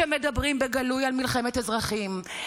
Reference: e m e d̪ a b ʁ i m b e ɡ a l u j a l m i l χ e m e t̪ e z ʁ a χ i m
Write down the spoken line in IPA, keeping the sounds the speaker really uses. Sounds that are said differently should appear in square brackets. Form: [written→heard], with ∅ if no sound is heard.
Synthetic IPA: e m e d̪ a b ʁ i m b e ɡ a l u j a l m i l χ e m e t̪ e z ʁ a χ i m